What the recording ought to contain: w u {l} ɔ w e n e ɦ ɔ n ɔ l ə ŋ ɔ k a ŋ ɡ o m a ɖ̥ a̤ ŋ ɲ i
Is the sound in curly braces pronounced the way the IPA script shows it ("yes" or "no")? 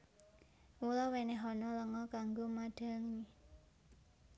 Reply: yes